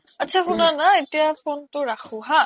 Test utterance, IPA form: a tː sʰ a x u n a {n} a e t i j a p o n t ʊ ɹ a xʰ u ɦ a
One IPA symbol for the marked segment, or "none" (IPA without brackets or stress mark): n